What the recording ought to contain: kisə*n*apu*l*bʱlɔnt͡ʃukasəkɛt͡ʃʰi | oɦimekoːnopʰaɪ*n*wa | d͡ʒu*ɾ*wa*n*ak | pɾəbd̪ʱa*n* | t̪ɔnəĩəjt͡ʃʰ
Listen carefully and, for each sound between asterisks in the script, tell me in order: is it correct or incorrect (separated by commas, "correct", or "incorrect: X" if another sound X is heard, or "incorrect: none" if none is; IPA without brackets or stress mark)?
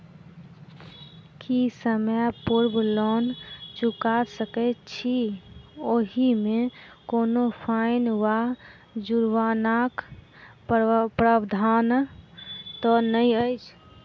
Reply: incorrect: m, incorrect: ɾ, correct, correct, correct, correct